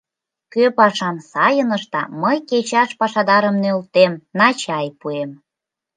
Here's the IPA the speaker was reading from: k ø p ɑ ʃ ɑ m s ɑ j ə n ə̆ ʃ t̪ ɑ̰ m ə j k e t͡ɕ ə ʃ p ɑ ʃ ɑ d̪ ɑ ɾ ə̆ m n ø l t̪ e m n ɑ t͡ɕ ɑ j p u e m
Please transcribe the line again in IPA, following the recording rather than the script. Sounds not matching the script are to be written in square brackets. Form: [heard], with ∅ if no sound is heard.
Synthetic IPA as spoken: k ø p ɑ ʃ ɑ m s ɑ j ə n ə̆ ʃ t̪ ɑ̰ m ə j k e t͡ɕ [ɑ] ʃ p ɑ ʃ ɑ d̪ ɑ ɾ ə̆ m n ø l t̪ e m n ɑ t͡ɕ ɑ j p u e m